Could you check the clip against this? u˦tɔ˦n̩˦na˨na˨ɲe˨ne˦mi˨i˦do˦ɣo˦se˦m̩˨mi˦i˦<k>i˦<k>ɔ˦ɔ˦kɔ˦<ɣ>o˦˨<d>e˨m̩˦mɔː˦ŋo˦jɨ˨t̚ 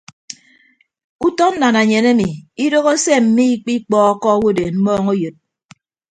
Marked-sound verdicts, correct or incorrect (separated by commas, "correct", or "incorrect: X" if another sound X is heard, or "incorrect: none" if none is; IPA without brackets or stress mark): incorrect: k͡p, incorrect: k͡p, incorrect: w, correct